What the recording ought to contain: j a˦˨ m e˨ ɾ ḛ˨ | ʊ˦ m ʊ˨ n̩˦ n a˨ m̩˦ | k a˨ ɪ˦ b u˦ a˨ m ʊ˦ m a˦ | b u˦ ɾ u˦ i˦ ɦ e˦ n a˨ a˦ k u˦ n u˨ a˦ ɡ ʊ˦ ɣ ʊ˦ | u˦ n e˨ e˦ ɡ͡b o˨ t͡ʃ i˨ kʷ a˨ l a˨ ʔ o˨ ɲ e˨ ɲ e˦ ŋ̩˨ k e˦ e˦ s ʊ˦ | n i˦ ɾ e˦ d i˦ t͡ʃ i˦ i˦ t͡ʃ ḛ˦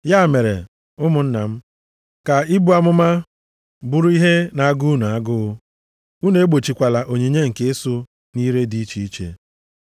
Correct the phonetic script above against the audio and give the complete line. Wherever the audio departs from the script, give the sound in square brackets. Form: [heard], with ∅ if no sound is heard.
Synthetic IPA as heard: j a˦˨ m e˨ ɾ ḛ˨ | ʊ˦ m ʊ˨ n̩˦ n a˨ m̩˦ | k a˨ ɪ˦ b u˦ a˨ m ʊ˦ m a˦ | b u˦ ɾ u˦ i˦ ɦ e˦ n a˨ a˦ [ɡ] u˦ n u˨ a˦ ɡ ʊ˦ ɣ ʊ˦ | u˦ n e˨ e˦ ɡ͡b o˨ t͡ʃ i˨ kʷ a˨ l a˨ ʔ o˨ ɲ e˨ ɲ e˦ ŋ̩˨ k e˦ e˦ s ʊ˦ | n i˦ ɾ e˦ d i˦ t͡ʃ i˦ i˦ t͡ʃ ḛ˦